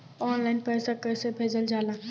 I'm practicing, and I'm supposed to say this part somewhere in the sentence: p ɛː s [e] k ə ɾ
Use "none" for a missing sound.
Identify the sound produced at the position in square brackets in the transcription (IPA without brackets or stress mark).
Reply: a